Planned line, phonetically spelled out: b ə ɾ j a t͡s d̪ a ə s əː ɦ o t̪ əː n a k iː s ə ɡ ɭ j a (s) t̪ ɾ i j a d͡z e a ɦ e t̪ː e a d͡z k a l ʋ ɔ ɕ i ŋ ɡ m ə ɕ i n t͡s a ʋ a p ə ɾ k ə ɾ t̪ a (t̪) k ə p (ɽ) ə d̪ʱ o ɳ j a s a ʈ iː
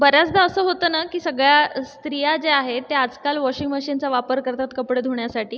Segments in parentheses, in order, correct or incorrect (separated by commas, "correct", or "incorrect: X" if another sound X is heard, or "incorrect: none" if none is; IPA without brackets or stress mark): correct, correct, correct